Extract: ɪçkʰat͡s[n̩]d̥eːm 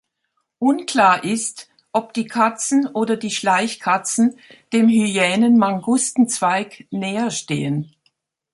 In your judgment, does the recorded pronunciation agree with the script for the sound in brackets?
yes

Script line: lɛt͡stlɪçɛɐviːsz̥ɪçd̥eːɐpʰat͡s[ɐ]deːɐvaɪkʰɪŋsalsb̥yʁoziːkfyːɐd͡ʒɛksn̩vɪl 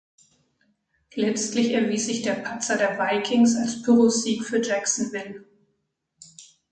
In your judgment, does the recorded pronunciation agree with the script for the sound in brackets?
yes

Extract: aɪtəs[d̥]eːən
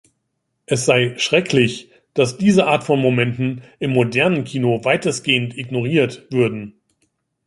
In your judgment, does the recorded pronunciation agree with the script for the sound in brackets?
no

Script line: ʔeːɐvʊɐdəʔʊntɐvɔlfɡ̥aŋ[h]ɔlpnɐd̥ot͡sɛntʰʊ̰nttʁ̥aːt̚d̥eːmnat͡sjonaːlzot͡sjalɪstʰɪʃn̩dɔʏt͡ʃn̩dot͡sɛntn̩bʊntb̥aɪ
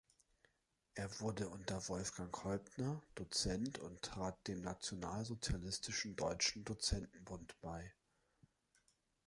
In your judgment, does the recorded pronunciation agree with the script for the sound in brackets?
yes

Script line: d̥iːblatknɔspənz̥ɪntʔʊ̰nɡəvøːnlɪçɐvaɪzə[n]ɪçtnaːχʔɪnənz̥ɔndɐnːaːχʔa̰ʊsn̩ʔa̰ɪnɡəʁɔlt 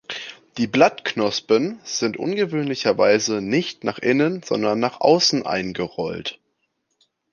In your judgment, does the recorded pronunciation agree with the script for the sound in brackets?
yes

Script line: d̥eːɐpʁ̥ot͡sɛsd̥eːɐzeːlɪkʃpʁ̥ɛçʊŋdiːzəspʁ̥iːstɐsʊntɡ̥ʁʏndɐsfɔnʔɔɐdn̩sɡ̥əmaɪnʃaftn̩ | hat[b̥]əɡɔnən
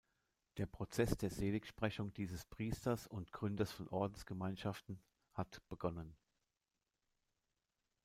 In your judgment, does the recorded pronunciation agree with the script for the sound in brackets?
yes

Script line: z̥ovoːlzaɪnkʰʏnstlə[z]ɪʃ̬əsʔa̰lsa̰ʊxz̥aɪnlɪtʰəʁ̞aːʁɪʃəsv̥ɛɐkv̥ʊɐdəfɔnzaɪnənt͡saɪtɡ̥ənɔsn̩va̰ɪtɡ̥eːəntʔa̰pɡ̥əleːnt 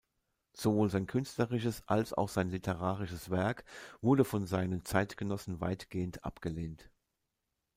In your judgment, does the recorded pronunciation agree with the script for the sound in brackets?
no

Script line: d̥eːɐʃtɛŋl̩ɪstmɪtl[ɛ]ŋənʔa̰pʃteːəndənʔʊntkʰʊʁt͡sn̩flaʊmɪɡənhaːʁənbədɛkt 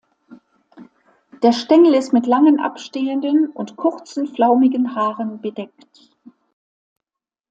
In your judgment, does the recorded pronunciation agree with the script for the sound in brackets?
no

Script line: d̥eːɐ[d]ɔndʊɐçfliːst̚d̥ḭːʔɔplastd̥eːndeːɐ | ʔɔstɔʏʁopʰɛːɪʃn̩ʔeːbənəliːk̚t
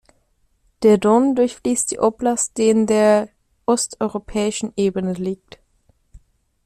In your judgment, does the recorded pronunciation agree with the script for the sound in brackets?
yes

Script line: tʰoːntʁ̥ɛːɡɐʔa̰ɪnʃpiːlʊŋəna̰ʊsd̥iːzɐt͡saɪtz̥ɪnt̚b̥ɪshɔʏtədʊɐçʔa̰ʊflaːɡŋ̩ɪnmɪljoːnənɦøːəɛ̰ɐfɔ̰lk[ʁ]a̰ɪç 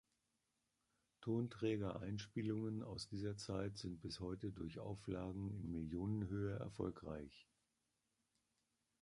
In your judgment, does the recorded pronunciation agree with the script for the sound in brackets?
yes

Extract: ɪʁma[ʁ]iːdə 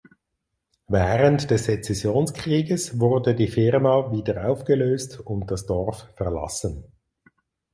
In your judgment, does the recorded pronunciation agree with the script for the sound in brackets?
no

